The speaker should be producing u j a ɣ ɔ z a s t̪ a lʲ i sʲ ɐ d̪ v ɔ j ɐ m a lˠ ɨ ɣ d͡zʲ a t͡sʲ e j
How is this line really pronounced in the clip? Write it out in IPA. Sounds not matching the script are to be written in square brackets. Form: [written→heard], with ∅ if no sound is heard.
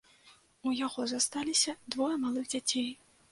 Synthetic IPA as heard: u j a ɣ ɔ z a s t̪ a lʲ i sʲ ɐ d̪ v ɔ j ɐ m a lˠ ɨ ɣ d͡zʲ a t͡sʲ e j